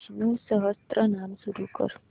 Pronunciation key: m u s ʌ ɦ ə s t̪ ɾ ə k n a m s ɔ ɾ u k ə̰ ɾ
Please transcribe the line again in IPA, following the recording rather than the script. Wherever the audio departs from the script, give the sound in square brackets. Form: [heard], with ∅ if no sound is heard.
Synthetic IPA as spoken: [n] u s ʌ ɦ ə s t̪ ɾ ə [∅] n a m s [u] ɾ u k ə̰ ɾ